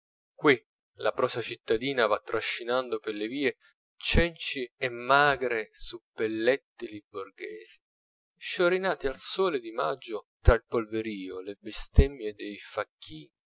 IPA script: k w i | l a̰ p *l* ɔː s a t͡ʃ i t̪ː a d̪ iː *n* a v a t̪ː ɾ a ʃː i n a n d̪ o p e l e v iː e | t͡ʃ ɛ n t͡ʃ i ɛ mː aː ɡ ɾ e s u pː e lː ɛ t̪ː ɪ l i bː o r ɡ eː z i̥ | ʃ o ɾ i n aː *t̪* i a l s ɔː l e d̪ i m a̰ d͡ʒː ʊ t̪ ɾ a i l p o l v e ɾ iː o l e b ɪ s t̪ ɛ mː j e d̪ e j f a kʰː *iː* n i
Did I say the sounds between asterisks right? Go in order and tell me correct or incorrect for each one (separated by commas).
incorrect, correct, correct, correct